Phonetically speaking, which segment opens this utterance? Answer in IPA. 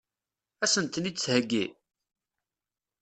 æ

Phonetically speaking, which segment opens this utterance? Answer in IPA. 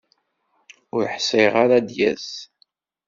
ʊ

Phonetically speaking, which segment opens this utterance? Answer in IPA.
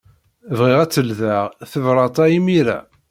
v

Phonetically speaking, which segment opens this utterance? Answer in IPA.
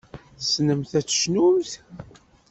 θ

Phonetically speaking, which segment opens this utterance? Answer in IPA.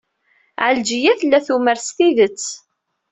ʕ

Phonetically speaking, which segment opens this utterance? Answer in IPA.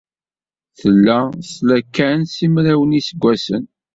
θ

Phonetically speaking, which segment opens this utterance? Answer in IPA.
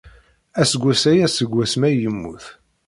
æ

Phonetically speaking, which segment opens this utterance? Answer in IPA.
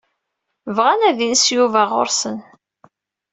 v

